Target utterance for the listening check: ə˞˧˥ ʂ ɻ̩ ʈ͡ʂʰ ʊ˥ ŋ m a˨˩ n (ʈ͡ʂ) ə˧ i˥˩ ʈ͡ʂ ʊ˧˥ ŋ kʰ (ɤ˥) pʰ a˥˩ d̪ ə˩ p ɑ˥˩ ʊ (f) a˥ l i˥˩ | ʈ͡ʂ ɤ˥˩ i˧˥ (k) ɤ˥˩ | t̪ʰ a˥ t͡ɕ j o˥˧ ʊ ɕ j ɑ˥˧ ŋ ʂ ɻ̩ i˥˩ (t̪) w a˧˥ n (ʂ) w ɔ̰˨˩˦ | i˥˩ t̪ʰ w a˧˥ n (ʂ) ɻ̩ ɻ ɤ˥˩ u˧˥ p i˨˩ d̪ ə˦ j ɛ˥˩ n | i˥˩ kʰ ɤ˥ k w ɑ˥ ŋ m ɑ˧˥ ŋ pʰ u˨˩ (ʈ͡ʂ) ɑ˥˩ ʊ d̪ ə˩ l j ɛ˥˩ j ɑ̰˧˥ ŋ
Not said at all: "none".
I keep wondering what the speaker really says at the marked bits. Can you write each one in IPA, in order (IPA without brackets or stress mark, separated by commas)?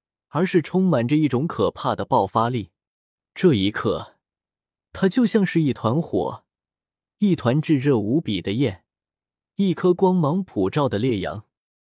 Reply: ʈ͡ʂ, ɤ˨˩, f, kʰ, t̪ʰ, x, ʈ͡ʂ, ʈ͡ʂ